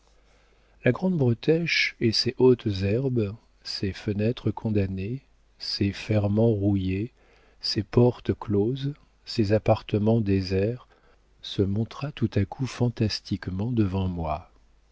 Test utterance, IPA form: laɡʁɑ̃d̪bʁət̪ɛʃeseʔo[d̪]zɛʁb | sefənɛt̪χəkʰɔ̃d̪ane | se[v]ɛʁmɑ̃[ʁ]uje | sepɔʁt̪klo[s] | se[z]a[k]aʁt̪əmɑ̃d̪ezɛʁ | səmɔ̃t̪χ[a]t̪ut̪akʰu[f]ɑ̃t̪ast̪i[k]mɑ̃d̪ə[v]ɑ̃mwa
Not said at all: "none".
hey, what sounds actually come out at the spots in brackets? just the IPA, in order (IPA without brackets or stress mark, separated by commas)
t̪, f, ʁ, z, z, p, a, f, k, v